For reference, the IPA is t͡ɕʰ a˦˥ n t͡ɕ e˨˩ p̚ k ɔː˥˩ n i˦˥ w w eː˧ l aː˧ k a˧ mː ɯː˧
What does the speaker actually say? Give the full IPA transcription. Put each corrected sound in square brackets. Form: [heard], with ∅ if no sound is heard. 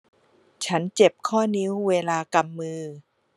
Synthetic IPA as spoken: t͡ɕʰ a˦˥ n t͡ɕ e˨˩ p̚ [kʰ] ɔː˥˩ n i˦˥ w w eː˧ l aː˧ k a˧ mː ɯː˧